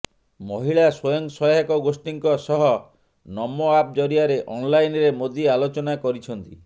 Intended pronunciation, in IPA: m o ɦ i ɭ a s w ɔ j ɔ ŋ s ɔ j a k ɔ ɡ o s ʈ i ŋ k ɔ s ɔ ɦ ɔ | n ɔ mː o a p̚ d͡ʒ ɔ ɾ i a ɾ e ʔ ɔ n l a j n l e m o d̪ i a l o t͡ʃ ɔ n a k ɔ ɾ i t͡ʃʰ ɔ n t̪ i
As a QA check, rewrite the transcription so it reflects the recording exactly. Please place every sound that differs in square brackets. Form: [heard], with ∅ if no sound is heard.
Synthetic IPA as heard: m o ɦ i ɭ a s w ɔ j ɔ ŋ s ɔ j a k ɔ ɡ o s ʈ i ŋ k ɔ s ɔ ɦ ɔ | n ɔ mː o a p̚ d͡ʒ ɔ ɾ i a ɾ e ʔ ɔ n l a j n [ɾ] e m o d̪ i a l o t͡ʃ ɔ n a k ɔ ɾ i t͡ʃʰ ɔ n t̪ i